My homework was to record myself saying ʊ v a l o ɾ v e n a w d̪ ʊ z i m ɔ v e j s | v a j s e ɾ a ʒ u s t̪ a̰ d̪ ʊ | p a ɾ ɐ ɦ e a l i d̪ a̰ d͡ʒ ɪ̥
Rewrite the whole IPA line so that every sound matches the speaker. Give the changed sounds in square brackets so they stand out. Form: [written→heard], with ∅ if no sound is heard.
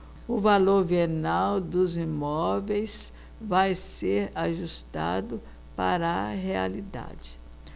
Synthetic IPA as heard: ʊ v a l o ɾ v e n a w d̪ ʊ z i m ɔ v e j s | v a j s e ɾ a ʒ u s t̪ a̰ d̪ ʊ | p a ɾ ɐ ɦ e a l i d̪ a̰ d͡ʒ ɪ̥